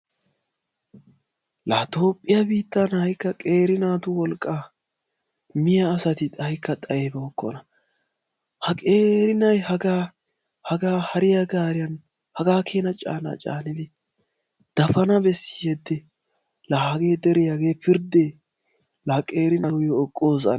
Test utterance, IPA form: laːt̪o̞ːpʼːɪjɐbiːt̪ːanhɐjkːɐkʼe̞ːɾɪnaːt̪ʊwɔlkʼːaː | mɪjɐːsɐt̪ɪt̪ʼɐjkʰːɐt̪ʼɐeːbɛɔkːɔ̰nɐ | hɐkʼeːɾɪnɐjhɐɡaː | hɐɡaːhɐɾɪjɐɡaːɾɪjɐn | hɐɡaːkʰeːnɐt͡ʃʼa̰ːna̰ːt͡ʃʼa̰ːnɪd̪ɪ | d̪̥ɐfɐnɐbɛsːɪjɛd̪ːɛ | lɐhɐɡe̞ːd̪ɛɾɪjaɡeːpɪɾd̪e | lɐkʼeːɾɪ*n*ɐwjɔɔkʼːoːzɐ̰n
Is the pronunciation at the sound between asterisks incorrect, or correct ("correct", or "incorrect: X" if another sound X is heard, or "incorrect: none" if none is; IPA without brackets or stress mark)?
correct